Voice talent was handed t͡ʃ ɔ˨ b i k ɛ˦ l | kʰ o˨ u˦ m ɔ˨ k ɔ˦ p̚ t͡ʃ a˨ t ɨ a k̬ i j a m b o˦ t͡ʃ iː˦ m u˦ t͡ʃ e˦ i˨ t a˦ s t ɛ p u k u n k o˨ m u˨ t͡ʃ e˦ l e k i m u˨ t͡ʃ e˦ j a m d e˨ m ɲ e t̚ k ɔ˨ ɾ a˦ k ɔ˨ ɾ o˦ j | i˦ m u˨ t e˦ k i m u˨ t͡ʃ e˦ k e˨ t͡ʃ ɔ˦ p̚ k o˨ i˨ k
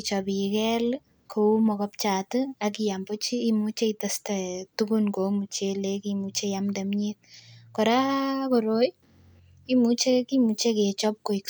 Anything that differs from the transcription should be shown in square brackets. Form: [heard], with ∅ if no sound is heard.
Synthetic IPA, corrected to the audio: t͡ʃ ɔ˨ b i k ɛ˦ l | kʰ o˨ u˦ m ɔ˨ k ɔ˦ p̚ t͡ʃ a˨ t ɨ a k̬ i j a m b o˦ t͡ʃ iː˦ m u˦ t͡ʃ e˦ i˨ t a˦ s t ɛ [t] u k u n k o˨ m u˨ t͡ʃ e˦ l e k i m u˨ t͡ʃ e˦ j a m d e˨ m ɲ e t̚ k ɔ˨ ɾ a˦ k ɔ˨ ɾ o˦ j | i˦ m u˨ [t͡ʃ] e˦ k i m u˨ t͡ʃ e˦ k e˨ t͡ʃ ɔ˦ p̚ k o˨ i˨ k